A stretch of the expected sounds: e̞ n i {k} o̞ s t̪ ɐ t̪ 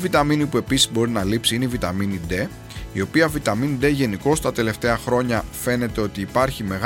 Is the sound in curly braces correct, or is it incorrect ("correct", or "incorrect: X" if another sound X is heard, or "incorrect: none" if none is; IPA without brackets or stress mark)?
correct